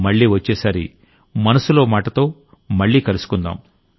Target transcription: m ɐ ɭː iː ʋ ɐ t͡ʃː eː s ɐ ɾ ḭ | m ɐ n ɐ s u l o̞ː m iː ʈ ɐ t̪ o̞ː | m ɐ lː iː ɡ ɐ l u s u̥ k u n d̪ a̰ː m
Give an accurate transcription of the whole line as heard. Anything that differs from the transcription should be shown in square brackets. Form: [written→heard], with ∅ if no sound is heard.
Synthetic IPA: m ɐ ɭː iː ʋ ɐ t͡ʃː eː s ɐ ɾ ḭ | m ɐ n ɐ s u l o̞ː m [iː→aː] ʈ ɐ t̪ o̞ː | m ɐ [lː→ɭː] iː [ɡ→k] ɐ l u s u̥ k u n d̪ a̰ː m